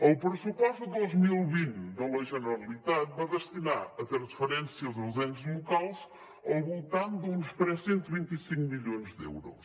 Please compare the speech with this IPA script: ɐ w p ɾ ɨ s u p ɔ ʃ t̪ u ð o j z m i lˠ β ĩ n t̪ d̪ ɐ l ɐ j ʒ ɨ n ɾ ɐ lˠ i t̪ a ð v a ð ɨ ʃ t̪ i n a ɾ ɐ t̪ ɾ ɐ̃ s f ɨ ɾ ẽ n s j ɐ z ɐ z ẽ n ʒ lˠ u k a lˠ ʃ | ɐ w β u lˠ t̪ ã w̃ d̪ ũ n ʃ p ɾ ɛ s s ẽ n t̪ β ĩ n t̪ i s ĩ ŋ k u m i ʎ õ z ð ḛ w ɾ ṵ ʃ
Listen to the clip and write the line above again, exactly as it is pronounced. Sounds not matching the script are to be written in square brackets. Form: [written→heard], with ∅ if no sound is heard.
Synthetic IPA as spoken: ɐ w p ɾ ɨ s u p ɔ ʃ t̪ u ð o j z m i lˠ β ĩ n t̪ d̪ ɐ l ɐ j ʒ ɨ n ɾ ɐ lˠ i t̪ a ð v a ð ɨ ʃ t̪ i n a ɾ ɐ t̪ ɾ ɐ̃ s f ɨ ɾ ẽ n s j ɐ z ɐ z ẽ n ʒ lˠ u k a lˠ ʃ | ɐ w β u lˠ t̪ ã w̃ d̪ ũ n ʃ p ɾ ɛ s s ẽ n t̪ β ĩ n t̪ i s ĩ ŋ k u m i ʎ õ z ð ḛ w ɾ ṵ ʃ